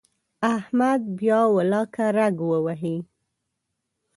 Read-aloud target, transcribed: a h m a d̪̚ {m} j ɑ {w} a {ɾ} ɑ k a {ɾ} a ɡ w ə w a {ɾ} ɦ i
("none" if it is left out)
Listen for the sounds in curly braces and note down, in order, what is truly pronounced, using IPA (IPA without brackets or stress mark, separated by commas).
b, w, l, ɾ, none